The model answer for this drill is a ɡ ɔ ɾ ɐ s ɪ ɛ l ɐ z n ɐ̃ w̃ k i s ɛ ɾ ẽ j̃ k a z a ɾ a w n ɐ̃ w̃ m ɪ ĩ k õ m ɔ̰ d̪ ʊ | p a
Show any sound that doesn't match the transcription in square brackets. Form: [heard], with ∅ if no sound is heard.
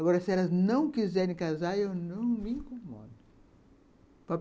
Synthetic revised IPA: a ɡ ɔ ɾ ɐ s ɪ ɛ l ɐ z n ɐ̃ w̃ k i [z] ɛ ɾ ẽ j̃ k a z a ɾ [e] w n ɐ̃ w̃ m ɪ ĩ k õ m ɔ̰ d̪ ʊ | p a

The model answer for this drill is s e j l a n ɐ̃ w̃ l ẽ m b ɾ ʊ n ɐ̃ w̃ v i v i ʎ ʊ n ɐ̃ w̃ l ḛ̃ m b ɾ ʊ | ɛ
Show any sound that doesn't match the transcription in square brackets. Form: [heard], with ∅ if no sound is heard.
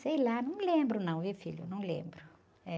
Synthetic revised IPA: s e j l a n ɐ̃ w̃ l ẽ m b ɾ ʊ n ɐ̃ w̃ v i [f] i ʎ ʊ n ɐ̃ w̃ l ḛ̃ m b ɾ ʊ | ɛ

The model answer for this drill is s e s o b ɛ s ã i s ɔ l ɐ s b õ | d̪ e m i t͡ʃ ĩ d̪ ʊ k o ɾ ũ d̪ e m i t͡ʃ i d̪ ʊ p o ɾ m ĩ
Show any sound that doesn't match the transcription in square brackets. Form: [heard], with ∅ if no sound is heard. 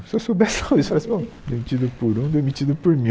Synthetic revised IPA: s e s o b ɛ s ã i s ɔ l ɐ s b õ | d̪ e m i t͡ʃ [i] d̪ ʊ [p] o ɾ ũ d̪ e m i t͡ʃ i d̪ ʊ p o ɾ m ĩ

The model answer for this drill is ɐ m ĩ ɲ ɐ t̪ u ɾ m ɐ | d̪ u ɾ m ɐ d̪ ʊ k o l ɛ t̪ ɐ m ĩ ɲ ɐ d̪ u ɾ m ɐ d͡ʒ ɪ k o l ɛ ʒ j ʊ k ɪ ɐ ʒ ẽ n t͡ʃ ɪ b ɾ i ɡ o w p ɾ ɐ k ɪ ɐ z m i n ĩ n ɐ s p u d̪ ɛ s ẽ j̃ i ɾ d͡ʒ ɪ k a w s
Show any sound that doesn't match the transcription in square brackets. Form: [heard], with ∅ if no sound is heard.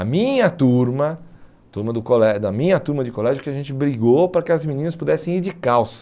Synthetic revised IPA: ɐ m ĩ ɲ ɐ t̪ u ɾ m ɐ | [t̪] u ɾ m ɐ d̪ ʊ k o l ɛ [d̪] ɐ m ĩ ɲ ɐ [t̪] u ɾ m ɐ d͡ʒ ɪ k o l ɛ ʒ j ʊ k ɪ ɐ ʒ ẽ n t͡ʃ ɪ b ɾ i ɡ o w p ɾ ɐ k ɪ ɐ z m i n ĩ n ɐ s p u d̪ ɛ s ẽ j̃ i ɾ d͡ʒ ɪ k a w s

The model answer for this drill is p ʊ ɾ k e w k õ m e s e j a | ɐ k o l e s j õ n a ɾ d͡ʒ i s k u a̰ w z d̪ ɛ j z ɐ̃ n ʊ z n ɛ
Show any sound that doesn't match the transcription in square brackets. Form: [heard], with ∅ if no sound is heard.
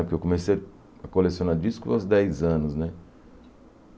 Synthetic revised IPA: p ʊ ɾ k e w k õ m e s e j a | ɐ k o l e s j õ n a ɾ d͡ʒ i s k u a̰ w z d̪ ɛ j z ɐ̃ n ʊ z n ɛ

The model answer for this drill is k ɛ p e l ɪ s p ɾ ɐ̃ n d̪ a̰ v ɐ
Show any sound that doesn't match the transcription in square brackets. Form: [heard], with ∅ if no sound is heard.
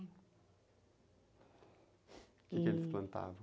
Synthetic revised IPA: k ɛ [k] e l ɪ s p [l] ɐ̃ n [t̪] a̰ v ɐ

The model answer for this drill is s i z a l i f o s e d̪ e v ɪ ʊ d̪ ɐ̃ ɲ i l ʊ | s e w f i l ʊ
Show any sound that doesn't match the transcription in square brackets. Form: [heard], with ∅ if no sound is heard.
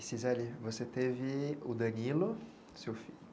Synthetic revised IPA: s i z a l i [v] o s e [t̪] e v ɪ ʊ d̪ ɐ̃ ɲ i l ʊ | s e w f i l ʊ

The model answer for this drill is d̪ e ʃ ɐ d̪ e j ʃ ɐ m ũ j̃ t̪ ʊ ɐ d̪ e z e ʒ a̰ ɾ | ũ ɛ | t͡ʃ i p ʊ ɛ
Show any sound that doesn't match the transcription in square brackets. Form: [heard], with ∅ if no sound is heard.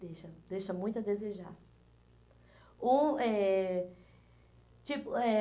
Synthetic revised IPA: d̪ e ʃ ɐ d̪ e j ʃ ɐ m ũ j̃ t̪ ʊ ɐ d̪ e z e ʒ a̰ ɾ | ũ ɛ | t͡ʃ i p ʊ ɛ

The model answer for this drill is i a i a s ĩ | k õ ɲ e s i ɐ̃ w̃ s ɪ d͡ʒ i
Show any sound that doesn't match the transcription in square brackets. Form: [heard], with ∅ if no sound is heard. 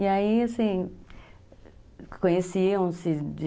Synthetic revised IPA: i a i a s ĩ | k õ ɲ e s i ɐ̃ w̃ s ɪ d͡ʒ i

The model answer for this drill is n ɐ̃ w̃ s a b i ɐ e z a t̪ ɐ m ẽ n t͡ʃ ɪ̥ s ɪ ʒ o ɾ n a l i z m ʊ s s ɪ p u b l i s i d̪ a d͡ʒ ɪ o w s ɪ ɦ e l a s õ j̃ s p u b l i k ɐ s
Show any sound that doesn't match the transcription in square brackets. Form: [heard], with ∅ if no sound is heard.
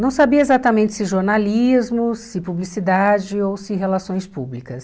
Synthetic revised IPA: n ɐ̃ w̃ s a b i ɐ e z a t̪ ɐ m ẽ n t͡ʃ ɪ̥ s ɪ ʒ o ɾ n a l i z m ʊ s s ɪ p u b l i s i d̪ a d͡ʒ ɪ o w s ɪ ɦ e l a s õ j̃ s p u b l i k ɐ s

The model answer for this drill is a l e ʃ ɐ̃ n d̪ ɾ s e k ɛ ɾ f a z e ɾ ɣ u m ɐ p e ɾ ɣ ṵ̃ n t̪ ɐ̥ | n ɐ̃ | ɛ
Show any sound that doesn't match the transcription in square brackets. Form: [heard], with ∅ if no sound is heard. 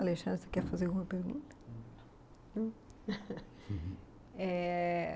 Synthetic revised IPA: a l e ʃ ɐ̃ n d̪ ɾ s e k ɛ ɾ f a z e ɾ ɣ u m ɐ p e ɾ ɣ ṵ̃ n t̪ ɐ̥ | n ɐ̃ | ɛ

